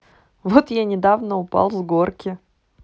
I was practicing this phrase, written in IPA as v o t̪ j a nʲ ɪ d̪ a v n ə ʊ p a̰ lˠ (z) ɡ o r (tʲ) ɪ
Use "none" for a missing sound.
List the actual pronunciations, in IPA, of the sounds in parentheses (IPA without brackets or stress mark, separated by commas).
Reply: z, kʲ